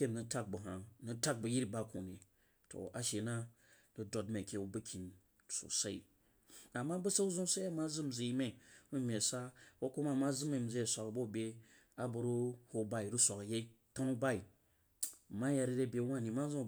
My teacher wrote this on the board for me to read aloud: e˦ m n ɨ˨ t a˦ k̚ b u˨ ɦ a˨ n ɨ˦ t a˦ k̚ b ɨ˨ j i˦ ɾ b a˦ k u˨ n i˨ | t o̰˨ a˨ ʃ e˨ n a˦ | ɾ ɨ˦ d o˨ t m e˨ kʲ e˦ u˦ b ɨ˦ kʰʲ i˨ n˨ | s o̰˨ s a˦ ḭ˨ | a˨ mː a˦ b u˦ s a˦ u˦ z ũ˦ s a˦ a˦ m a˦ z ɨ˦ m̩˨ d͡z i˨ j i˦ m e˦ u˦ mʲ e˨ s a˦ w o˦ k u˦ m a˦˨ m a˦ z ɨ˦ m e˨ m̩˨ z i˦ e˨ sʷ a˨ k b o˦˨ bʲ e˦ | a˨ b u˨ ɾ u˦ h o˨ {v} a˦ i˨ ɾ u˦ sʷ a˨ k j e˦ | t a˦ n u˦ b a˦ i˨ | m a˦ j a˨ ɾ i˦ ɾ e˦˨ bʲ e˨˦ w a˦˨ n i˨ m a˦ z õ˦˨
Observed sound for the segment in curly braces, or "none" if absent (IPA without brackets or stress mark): b